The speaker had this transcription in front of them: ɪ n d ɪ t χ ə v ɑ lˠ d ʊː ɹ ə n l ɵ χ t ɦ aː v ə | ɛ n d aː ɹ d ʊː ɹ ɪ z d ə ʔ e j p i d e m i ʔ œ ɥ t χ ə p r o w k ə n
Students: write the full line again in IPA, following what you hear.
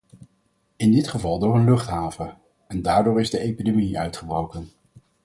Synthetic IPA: ɪ n d ɪ t χ ə v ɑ lˠ d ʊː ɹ ə n l ɵ χ t ɦ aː v ə | ɛ n d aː ɹ d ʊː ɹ ɪ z d ə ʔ e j p i d e m i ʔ œ ɥ t χ ə b r o w k ə n